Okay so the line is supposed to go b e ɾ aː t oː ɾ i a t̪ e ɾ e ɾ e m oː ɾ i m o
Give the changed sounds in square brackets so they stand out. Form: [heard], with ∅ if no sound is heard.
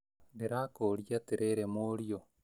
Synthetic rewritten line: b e ɾ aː [k] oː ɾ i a t̪ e ɾ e ɾ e m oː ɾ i [∅] o

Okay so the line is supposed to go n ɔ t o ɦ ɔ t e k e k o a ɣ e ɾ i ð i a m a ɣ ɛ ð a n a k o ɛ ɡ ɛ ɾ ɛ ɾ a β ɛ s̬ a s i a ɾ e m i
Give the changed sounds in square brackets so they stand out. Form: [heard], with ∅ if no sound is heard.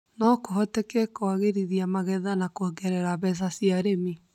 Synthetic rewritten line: n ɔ [k] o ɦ ɔ t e k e k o a ɣ e ɾ i ð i a m a ɣ ɛ ð a n a k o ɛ ɡ ɛ ɾ ɛ ɾ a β ɛ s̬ a s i a ɾ e m i

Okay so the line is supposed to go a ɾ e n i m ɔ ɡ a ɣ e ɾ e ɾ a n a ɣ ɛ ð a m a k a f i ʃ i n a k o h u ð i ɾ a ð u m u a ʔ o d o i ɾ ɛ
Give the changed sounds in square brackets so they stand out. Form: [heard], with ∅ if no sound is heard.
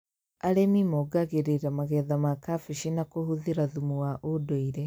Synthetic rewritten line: a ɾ e [m] i m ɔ ɡ a ɣ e ɾ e ɾ a [m] a ɣ ɛ ð a m a k a f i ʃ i n a k o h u ð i ɾ a ð u m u a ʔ o d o i ɾ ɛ

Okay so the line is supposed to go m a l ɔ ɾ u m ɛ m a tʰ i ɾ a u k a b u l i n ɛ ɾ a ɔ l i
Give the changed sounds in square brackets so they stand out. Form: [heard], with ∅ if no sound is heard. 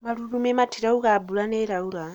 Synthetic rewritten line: m a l [u] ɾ u m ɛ m a tʰ i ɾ a u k a b u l [a] n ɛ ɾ a [u] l [a]

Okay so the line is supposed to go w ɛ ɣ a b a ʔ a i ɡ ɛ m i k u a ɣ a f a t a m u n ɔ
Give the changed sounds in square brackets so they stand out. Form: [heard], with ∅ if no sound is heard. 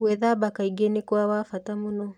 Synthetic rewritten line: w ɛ [ð] a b a [k] a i ɡ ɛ [n] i k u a [w] a f a t a m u n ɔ

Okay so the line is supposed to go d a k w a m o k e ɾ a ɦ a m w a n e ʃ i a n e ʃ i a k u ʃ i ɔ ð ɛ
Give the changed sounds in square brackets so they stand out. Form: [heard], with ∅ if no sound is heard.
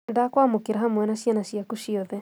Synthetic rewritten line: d a k w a m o k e ɾ a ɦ a m w [ɛ] n [a] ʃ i a n [a] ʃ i a k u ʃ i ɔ ð ɛ

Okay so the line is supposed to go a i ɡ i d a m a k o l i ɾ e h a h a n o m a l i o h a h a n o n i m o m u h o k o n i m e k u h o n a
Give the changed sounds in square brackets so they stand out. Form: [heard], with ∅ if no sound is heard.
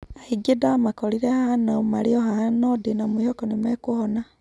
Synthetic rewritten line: a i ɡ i d a m a k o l i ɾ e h a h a n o m a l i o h a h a n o [d] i [n] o m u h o k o n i m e k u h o n a

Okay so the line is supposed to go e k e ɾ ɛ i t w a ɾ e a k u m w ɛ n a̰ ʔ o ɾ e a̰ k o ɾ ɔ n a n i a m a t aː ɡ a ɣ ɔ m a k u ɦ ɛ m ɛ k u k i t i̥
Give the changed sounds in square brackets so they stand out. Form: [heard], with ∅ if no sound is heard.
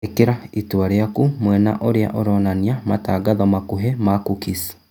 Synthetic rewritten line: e k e ɾ [a] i t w a ɾ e a k u m w ɛ n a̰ ʔ o ɾ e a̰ [ʔ] o ɾ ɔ n a n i a m a t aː ɡ a [ð] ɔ m a k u ɦ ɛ m [a] k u k i [s] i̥

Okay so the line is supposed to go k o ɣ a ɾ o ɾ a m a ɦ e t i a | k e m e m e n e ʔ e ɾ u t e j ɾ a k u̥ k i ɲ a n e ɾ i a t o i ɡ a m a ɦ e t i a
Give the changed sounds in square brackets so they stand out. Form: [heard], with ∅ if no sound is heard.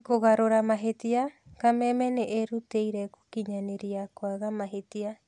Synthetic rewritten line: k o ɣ a ɾ o ɾ a m a ɦ e t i a | k [a] m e m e n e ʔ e ɾ u t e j ɾ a k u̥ k i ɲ a n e ɾ i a [k] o [a] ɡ a m a ɦ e t i a

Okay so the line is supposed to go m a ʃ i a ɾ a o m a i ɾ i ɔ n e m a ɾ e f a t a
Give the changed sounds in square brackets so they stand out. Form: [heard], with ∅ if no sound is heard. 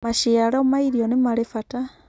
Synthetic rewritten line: m a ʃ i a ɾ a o m a i ɾ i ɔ n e m a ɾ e f a t a

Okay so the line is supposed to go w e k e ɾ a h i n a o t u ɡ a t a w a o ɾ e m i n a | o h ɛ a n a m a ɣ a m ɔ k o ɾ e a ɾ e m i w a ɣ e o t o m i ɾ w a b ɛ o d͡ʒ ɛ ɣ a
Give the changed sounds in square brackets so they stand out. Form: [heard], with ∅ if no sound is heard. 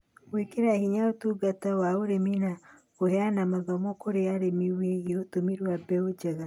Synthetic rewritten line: w e k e ɾ a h i [ɲ] a o t u ɡ a t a w a o ɾ e m i n a | o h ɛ a n a m a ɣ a m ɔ k o ɾ e a ɾ e m i w [e] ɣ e o t o m i ɾ w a b ɛ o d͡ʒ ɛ ɣ a

